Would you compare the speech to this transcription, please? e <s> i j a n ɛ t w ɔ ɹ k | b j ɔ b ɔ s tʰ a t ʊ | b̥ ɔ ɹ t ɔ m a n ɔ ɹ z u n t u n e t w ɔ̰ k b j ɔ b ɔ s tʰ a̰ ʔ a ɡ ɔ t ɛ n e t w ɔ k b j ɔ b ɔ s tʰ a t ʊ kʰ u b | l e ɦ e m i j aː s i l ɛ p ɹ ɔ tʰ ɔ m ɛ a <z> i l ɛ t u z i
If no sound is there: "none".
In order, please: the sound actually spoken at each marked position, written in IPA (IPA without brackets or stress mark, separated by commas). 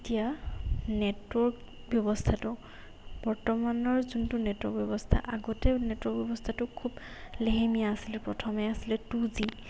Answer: t, s